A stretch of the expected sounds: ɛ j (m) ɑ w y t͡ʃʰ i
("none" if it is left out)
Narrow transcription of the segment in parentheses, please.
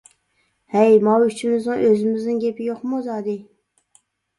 m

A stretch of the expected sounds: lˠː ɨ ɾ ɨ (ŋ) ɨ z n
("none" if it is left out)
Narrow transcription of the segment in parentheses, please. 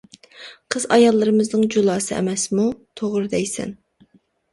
m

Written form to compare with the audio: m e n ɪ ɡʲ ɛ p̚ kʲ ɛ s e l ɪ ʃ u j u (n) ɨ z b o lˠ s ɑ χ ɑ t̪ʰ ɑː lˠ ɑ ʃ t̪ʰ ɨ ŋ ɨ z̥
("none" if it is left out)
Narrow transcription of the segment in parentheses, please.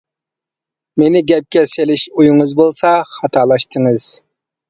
ŋ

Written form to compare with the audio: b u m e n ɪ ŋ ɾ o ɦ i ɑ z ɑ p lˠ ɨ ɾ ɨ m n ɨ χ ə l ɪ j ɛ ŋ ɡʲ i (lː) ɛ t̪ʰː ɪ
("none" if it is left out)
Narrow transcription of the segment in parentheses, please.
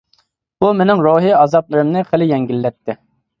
lː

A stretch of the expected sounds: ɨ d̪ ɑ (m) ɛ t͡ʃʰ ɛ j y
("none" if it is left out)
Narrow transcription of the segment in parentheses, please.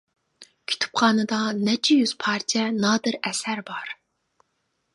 n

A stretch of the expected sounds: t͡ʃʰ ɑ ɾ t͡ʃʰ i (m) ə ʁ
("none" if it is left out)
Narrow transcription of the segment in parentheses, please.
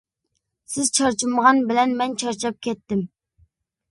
m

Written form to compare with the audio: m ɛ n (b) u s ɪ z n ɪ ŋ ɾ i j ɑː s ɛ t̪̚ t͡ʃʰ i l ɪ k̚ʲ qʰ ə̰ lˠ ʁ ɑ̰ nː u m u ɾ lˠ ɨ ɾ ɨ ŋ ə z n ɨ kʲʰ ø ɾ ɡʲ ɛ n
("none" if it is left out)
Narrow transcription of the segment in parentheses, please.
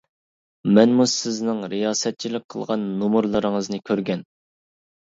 m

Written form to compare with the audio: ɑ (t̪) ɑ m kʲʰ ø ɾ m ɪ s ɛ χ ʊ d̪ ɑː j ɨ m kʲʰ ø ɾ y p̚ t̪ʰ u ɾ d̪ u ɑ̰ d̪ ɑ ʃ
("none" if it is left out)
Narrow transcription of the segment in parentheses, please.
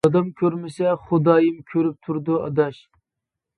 d̪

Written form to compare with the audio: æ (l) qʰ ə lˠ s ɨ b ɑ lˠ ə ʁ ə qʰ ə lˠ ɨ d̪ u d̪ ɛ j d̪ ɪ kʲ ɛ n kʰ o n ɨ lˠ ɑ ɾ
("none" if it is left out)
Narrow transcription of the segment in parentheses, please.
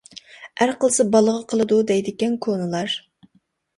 ɾ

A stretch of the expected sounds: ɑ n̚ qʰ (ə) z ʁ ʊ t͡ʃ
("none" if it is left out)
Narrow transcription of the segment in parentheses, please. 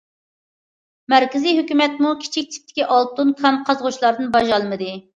ɑ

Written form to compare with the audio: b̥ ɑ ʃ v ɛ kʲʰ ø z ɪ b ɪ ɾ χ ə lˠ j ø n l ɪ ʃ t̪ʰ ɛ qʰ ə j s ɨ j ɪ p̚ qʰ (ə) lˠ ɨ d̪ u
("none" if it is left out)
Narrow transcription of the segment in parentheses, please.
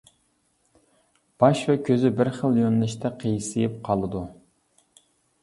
ɑ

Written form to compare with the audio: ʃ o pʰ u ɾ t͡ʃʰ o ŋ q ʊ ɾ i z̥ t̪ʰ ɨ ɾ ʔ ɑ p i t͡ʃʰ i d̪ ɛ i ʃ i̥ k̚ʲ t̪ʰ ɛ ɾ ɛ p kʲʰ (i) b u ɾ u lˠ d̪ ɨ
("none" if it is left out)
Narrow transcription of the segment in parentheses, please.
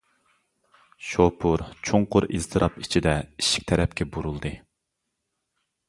ɛ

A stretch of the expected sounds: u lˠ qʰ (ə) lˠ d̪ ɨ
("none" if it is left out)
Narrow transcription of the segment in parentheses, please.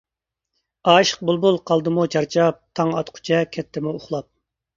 ɑ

